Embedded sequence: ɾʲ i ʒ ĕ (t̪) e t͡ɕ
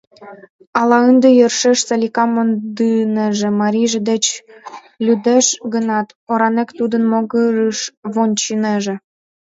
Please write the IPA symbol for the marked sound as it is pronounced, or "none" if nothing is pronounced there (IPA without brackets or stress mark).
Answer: d̪